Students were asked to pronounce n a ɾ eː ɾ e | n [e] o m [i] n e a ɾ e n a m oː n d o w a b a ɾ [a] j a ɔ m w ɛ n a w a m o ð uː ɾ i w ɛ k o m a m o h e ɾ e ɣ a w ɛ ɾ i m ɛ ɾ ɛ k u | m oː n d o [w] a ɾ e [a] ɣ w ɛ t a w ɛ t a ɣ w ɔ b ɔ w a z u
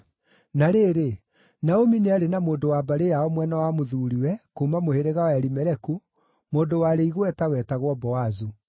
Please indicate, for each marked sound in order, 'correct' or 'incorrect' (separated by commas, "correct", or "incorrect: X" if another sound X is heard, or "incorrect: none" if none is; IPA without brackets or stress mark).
incorrect: a, correct, incorrect: e, correct, incorrect: i